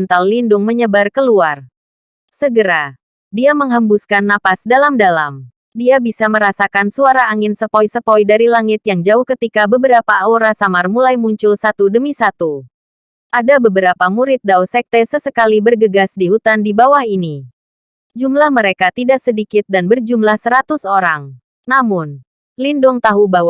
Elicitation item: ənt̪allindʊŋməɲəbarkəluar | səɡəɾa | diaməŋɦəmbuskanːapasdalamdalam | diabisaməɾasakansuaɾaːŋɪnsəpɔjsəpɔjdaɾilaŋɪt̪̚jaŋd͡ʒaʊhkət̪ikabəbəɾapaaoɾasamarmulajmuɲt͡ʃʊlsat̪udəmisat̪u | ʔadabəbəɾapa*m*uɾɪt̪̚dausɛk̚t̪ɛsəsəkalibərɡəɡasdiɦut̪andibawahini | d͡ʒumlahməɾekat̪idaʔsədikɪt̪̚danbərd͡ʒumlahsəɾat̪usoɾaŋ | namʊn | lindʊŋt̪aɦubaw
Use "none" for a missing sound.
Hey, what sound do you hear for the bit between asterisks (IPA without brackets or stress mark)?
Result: m